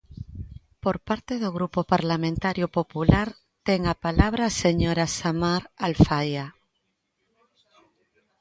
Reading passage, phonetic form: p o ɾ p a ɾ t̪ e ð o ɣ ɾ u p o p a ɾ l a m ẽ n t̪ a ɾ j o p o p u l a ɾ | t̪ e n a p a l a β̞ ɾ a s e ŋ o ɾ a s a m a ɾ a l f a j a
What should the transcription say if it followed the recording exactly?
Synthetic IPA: p o ɾ p a ɾ t̪ e ð o ɣ ɾ u p o p a ɾ l a m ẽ n t̪ a ɾ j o p o p u l a ɾ | t̪ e ŋ a p a l a β̞ ɾ a s e ɲ o ɾ a s a m a ɾ a l f a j a

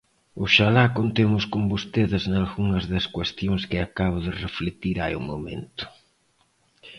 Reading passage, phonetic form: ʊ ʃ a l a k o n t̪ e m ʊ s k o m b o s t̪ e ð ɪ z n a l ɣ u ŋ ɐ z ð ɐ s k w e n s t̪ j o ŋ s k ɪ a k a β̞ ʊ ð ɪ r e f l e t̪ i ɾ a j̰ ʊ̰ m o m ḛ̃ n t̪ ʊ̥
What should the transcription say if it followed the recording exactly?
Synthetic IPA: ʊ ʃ a l a k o n t̪ e m ʊ s k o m b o s t̪ e ð ɪ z n a l ɣ u ŋ ɐ z ð ɐ s k w e s t̪ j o ŋ s k ɪ a k a β̞ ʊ ð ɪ r e f l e t̪ i ɾ a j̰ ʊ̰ m o m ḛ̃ n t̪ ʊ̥

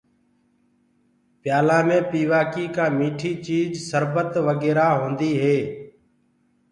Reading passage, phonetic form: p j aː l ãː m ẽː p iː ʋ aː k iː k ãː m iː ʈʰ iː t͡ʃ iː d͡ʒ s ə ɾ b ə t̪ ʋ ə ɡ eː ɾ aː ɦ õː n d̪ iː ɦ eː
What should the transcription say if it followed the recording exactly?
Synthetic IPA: p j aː l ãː m ẽː p iː ʋ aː k iː k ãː m iː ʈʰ iː t͡ʃ iː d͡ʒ s ə ɾ b ə t̪ ʋ ə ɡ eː ɾ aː ɦ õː n d̪ iː ɦ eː

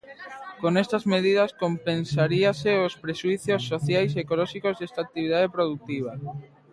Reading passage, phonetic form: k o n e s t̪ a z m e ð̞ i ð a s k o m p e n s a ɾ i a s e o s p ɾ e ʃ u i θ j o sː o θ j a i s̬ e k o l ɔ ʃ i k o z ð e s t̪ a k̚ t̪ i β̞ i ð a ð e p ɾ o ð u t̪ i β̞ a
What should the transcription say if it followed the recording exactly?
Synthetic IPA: k o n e s t̪ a z m e ð̞ i ð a s k o m p e n s a ɾ i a s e o s p ɾ e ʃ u i θ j o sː o θ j a j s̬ e k o l ɔ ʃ i k o z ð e s t̪ a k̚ t̪ i β̞ i ð a ð e p ɾ o ð u t̪ i β̞ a

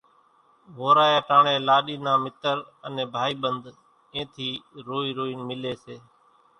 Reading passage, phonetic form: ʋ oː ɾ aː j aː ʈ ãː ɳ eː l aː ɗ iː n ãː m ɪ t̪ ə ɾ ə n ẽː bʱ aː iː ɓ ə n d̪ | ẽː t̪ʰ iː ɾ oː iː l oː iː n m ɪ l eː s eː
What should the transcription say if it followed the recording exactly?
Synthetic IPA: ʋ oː ɾ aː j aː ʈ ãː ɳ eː l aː ɗ iː n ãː m ɪ t̪ ə ɾ ə n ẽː bʱ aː iː ɓ ə n d̪ | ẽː t̪ʰ iː ɾ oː iː ɾ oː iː n m ɪ l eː s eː

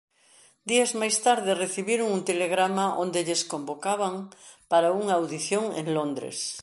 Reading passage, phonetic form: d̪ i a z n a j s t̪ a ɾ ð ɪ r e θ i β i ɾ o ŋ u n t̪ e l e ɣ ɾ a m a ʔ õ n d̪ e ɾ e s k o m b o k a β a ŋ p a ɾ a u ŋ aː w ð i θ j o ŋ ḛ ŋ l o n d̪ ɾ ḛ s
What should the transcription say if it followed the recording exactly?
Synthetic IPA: d̪ i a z m a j s t̪ a ɾ ð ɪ r e θ i β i ɾ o ŋ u n t̪ e l e ɣ ɾ a m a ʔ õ n d̪ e ʎ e s k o m b o k a β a ŋ p a ɾ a u ŋ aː w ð i θ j o ŋ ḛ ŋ l o n d̪ ɾ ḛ s

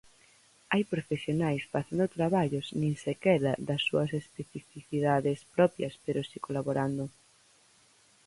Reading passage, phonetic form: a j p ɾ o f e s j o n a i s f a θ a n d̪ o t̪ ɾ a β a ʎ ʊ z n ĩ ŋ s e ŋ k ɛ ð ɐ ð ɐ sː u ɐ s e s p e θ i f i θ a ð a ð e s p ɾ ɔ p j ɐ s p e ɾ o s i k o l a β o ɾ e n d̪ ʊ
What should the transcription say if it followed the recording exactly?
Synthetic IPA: a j p ɾ o f e s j o n a j s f a θ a n d̪ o t̪ ɾ a β a ʎ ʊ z n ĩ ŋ s e k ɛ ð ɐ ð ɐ sː u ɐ s e s p e θ i f i θ i ð a ð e s p ɾ ɔ p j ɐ s p e ɾ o s i k o l a β o ɾ a n d̪ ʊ

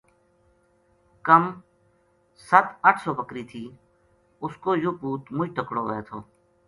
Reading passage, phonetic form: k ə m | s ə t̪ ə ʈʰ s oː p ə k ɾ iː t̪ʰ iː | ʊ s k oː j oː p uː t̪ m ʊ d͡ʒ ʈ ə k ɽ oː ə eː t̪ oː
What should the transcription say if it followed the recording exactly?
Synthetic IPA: k ə m | s ə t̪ ə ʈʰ s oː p ə k ɾ iː t̪ʰ iː | ʊ s k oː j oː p uː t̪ m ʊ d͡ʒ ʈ ə k ɽ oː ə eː t̪ʰ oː

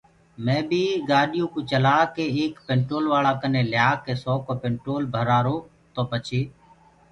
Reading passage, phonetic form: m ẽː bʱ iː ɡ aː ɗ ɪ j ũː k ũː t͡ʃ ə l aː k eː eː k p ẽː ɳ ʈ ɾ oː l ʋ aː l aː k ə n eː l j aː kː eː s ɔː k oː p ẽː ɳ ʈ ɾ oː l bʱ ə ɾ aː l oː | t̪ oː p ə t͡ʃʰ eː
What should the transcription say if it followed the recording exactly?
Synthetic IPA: m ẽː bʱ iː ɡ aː ɗ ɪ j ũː k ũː t͡ʃ ə l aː k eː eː k p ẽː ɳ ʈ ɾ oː l ʋ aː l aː k ə n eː l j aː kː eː s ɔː k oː p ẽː ɳ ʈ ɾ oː l bʱ ə ɾ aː ɾ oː | t̪ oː p ə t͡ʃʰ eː

